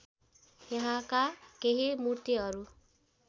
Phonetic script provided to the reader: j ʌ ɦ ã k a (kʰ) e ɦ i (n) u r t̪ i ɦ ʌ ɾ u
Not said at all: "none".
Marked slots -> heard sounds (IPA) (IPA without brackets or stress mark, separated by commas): k, m